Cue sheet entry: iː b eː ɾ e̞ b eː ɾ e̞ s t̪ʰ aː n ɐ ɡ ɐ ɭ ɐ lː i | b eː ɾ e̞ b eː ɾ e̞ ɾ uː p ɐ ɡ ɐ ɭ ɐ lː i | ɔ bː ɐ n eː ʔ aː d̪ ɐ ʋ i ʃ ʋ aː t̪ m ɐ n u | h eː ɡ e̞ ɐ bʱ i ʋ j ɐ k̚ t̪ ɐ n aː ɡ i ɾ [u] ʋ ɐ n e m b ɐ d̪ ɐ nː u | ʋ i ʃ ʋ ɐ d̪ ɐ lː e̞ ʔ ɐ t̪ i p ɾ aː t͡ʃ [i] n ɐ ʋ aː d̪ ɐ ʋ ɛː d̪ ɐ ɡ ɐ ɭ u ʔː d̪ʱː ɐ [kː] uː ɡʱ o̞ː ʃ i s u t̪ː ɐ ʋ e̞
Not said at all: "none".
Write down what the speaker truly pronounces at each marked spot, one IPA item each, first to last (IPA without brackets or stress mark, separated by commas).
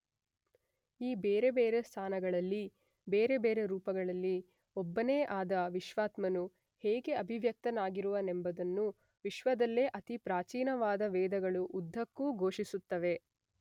u, iː, kː